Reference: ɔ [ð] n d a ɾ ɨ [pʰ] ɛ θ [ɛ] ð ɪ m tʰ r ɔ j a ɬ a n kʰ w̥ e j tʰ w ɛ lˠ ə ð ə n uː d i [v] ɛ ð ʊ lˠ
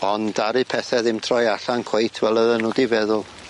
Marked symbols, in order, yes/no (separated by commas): no, yes, yes, yes